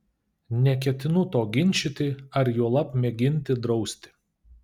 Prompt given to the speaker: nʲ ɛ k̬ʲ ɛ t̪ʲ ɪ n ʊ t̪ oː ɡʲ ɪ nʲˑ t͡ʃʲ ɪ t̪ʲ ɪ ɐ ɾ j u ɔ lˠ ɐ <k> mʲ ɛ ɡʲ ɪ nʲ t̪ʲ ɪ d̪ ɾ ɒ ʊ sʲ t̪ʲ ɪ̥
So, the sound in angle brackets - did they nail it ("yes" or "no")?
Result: no